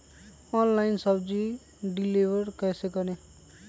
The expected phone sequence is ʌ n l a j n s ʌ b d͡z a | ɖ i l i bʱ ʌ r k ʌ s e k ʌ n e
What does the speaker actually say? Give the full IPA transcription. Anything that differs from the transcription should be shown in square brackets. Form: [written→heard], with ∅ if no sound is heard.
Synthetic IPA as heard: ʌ n l a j n s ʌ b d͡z [a→i] | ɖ i l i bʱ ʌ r k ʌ s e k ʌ n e

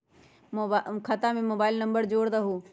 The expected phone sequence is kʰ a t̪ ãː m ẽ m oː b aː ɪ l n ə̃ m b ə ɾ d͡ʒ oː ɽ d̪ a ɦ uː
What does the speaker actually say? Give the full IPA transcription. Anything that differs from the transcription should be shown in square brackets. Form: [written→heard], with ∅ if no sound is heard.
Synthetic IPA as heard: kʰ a t̪ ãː m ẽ m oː b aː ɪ l n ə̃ m b ə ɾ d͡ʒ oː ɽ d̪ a ɦ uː

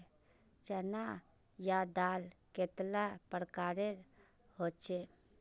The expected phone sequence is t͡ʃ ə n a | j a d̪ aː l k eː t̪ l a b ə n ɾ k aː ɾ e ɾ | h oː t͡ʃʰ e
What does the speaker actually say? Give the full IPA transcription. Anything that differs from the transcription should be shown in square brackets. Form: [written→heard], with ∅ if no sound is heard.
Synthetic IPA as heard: t͡ʃ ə n a | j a d̪ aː l k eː t̪ l a [b→p] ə [n→∅] ɾ k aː ɾ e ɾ | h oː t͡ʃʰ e

